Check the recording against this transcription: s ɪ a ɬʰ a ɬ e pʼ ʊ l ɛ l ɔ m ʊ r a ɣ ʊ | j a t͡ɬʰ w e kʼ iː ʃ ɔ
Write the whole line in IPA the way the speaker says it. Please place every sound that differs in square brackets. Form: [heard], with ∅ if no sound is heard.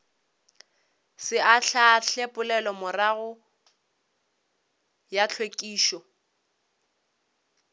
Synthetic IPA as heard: s ɪ a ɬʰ a ɬ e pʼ ʊ l ɛ l ɔ m ʊ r a ɣ ʊ | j a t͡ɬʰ w e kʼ iː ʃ ɔ